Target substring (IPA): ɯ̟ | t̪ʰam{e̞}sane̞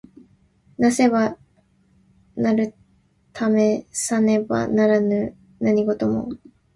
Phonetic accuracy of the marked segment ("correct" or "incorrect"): correct